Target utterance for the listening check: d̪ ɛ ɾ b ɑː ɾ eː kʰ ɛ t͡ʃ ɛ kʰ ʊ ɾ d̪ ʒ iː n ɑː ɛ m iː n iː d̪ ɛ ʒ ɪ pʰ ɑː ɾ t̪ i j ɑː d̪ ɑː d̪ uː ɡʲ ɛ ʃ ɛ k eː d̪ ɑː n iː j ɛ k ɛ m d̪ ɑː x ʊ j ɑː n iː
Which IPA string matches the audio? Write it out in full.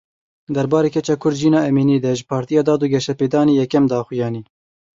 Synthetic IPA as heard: d̪ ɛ ɾ b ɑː ɾ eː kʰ ɛ t͡ʃ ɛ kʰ ʊ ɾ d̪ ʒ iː n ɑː ɛ m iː n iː d̪ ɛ ʒ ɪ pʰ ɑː ɾ t̪ i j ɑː d̪ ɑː d̪ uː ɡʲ ɛ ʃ ɛ p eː d̪ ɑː n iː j ɛ k ɛ m d̪ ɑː x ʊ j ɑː n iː